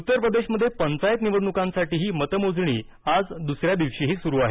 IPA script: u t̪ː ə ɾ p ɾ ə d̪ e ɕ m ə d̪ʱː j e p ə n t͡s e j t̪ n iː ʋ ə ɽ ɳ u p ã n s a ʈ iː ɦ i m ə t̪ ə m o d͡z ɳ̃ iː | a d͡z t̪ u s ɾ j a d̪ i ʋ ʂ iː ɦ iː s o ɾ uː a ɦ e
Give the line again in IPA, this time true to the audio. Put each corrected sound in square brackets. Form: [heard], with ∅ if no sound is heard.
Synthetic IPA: u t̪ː ə ɾ p ɾ ə d̪ e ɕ m ə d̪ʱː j e p ə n t͡s [a] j t̪ n [i] ʋ ə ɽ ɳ u [k] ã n s a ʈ iː ɦ [iː] m ə t̪ ə m o d͡z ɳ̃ iː | a d͡z [d̪] u s ɾ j a d̪ i ʋ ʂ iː ɦ iː s [u] ɾ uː a ɦ e